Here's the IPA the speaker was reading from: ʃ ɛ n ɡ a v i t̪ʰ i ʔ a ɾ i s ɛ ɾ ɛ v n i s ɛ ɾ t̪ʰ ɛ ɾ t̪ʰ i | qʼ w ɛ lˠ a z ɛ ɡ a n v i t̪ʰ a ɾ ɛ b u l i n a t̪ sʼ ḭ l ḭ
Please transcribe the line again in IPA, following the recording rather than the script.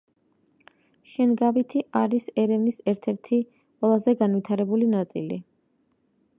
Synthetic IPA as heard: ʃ ɛ n ɡ a v i t̪ʰ i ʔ a ɾ i s ɛ ɾ ɛ v n i s ɛ ɾ t̪ʰ ɛ ɾ t̪ʰ i | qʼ w ɛ lˠ a z ɛ ɡ a n v i t̪ʰ a ɾ ɛ b u l i n a t̪ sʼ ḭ l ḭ